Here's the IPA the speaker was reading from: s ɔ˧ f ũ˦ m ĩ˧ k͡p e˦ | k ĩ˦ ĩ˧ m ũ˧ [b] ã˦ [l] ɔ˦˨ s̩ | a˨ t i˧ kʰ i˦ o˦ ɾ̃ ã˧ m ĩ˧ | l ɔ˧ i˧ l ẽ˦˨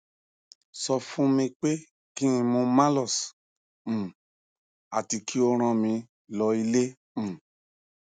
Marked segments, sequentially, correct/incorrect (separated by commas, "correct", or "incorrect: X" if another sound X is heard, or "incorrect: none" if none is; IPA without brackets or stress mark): incorrect: m, correct